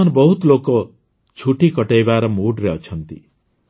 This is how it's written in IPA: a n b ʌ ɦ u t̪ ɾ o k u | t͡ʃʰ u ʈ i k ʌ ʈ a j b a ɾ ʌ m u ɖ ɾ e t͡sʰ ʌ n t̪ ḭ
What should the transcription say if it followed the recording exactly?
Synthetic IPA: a n b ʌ ɦ u t̪ l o k o | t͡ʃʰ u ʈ i k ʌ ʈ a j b a ɾ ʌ m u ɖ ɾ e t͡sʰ ʌ n t̪ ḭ